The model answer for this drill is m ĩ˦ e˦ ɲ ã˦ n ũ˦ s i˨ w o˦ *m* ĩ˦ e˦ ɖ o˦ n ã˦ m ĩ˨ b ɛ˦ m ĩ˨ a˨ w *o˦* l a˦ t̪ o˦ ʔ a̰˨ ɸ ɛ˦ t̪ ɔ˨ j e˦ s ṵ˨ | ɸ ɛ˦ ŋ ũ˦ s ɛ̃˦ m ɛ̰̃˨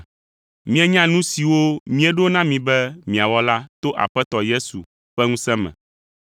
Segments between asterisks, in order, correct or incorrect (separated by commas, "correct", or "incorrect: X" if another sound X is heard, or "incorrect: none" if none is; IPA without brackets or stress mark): correct, incorrect: ɔ˦